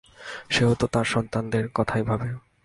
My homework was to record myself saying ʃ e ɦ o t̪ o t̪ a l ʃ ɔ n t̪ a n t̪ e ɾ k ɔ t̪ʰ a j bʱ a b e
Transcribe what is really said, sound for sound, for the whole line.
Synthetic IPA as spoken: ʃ e ɦ o t̪ o t̪ a ɾ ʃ ɔ n t̪ a n d̪ e ɾ k ɔ t̪ʰ a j bʱ a b e